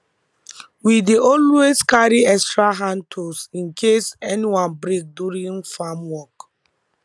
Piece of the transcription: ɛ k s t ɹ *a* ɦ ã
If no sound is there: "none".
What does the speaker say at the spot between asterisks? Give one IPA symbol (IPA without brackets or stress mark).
a